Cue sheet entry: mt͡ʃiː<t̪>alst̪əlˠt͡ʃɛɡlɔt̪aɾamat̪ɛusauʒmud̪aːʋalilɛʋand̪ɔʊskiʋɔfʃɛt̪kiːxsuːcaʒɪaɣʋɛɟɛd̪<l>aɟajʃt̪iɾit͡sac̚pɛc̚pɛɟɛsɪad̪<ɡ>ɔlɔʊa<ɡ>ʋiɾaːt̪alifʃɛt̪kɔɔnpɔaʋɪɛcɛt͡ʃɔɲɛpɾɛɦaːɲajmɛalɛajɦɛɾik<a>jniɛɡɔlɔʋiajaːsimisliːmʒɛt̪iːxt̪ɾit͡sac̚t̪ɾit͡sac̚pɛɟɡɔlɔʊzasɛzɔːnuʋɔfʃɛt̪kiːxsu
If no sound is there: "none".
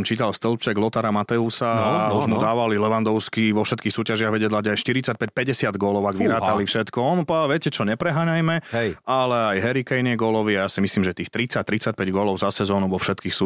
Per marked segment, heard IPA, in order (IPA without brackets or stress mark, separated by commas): t̪, l, ɡ, ɡ, ɛ